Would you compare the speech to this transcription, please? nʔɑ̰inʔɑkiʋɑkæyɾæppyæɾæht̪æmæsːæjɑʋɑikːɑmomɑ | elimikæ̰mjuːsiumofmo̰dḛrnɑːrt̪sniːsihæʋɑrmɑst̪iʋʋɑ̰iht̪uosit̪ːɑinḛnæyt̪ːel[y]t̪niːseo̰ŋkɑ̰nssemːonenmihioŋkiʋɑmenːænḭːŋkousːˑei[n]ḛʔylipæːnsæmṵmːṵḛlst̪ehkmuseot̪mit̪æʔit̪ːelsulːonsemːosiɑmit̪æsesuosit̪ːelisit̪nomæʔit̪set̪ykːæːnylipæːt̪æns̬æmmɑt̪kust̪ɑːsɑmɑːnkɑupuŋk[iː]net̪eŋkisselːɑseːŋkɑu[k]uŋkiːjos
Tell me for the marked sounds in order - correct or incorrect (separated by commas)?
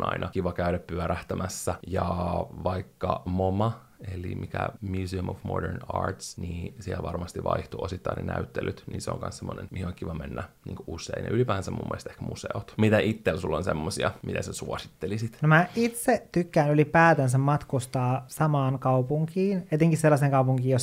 correct, correct, correct, incorrect